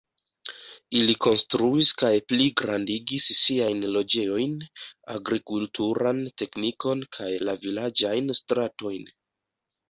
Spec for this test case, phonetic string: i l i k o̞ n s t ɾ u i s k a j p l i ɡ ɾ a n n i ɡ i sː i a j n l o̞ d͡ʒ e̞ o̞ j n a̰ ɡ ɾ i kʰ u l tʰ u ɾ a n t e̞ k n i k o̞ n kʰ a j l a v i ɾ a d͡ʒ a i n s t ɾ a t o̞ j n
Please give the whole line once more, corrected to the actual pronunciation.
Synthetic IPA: i l i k o̞ n s t ɾ u i s k a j p l i ɡ ɾ a n d i ɡ i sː i a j n l o̞ d͡ʒ e̞ o̞ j n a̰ ɡ ɾ i k u l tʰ u ɾ a n t e̞ k n i k o̞ n kʰ a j l a v i l a d͡ʒ a j n s t ɾ a t o̞ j n